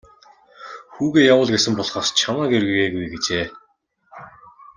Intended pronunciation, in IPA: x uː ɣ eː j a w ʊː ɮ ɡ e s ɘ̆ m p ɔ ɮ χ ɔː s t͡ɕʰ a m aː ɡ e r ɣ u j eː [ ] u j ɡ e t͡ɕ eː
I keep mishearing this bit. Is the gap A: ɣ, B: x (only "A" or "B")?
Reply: A